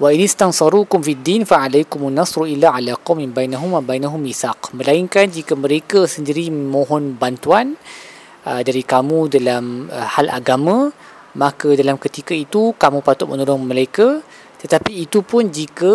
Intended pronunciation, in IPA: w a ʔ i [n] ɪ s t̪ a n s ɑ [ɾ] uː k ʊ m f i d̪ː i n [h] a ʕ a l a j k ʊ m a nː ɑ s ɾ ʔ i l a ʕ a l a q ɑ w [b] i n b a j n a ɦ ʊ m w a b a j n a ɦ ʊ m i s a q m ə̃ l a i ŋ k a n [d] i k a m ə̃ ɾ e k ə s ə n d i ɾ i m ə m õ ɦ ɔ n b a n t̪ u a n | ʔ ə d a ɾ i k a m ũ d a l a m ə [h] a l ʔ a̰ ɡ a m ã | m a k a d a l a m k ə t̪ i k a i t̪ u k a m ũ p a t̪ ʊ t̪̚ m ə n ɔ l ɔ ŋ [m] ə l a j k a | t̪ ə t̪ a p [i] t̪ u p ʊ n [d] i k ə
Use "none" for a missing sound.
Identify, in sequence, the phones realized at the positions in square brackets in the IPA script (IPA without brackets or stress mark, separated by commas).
n, ɾ, f, m, d͡ʒ, h, m, iː, d͡ʒ